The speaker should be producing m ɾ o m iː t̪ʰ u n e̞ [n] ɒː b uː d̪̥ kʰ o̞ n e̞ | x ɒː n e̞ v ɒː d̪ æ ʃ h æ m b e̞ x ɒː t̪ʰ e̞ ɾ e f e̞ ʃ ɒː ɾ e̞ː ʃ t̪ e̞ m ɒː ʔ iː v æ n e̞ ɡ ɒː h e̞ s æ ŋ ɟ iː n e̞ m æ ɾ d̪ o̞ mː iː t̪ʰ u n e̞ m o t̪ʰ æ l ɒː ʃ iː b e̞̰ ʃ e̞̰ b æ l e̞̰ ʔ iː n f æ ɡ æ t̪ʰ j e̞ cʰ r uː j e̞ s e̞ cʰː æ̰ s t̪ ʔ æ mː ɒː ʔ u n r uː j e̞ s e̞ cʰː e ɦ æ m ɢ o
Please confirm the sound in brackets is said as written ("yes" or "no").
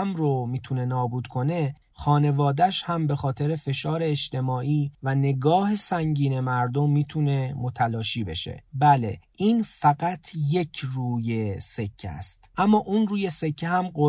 yes